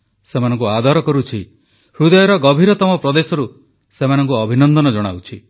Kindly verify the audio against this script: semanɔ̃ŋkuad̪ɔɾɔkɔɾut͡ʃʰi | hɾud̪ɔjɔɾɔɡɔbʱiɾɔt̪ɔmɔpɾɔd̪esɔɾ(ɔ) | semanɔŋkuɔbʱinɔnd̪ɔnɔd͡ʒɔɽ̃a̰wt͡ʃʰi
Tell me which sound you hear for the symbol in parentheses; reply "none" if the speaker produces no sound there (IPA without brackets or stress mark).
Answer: u